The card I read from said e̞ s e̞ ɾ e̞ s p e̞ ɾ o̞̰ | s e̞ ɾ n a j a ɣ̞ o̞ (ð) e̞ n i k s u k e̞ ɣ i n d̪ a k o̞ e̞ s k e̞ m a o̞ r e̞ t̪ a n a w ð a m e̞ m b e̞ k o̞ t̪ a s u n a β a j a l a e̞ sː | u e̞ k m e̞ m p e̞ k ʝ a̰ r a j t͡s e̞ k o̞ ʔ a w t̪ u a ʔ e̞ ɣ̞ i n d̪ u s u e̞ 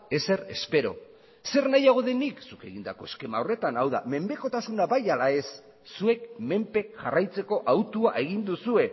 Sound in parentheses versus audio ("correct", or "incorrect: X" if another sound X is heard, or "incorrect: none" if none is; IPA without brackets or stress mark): correct